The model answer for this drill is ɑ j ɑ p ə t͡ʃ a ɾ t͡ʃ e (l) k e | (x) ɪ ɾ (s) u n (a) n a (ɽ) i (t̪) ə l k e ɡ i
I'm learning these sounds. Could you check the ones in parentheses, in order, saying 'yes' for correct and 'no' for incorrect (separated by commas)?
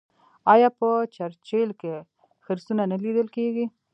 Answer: yes, yes, yes, yes, no, no